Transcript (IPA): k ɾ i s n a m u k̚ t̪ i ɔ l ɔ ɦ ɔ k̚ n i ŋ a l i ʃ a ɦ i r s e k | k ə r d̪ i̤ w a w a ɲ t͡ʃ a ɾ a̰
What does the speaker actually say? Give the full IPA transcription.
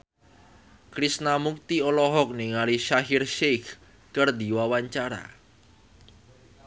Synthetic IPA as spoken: k ɾ i s n a m u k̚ t̪ i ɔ l ɔ ɦ ɔ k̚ n i ŋ a l i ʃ a ɦ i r ʃ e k | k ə r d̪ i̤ w a w a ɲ t͡ʃ a ɾ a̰

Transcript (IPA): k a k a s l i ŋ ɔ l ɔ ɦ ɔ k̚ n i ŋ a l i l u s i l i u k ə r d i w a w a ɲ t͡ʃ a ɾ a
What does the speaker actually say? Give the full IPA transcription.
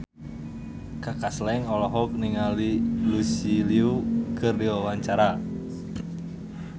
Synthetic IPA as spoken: k a k a s l ɛ ŋ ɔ l ɔ ɦ ɔ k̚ n i ŋ a l i l u s i l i u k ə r d i w a w a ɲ t͡ʃ a ɾ a

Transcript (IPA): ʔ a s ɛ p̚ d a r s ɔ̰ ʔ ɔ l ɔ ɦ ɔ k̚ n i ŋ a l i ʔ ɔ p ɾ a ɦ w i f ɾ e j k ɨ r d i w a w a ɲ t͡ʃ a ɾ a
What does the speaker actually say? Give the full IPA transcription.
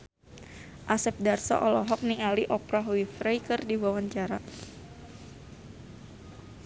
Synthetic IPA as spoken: ʔ a s ɛ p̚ d a r s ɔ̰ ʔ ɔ l ɔ ɦ ɔ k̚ n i ŋ a l i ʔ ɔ p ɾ a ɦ w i f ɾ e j k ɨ r d i w a w a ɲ t͡ʃ a ɾ a

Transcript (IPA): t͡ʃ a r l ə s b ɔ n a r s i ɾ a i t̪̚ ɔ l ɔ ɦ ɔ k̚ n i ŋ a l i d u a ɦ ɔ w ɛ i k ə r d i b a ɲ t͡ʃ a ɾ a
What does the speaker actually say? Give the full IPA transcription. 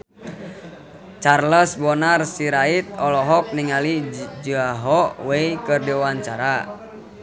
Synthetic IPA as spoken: t͡ʃ a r l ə s b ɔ n a r s i ɾ a i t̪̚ ɔ l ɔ ɦ ɔ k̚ n i ŋ a l i d͡ʒ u a ɦ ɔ w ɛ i k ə r d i w a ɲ t͡ʃ a ɾ a

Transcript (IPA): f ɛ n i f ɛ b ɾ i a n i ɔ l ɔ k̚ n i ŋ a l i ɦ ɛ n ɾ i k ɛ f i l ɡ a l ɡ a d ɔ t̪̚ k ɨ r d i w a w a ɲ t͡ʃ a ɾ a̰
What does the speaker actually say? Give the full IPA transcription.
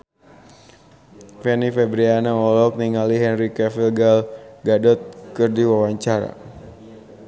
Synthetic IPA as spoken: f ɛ n i f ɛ b ɾ i a n a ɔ l ɔ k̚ n i ŋ a l i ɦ ɛ n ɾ i k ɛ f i l ɡ a l ɡ a d ɔ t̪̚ k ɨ r d i w a w a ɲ t͡ʃ a ɾ a̰

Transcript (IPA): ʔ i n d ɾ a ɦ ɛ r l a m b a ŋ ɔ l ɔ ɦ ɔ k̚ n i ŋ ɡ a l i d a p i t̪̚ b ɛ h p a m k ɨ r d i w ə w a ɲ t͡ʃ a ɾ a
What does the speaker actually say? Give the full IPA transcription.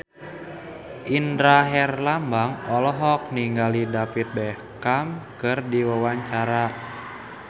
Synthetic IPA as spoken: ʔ i n d ɾ a ɦ ɛ r l a m b a ŋ ɔ l ɔ ɦ ɔ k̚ n i ŋ ɡ a l i d a p i t̪̚ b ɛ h k a m k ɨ r d i w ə w a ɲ t͡ʃ a ɾ a

